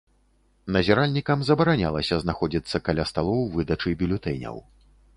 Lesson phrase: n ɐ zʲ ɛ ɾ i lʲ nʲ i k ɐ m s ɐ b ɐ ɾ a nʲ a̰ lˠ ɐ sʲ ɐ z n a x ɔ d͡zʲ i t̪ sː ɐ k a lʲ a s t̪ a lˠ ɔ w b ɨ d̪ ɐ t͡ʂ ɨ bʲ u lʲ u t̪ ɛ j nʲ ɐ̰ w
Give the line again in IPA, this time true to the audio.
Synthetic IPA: n ɐ zʲ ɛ ɾ a lʲ nʲ i k ɐ m z ɐ b ɐ ɾ a nʲ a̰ lˠ ɐ sʲ ɐ z n a x ɔ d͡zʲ i t̪ sː ɐ k a lʲ a s t̪ a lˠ ɔ w v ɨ d̪ ɐ t͡ʂ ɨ bʲ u lʲ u t̪ ɛ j nʲ ɐ̰ w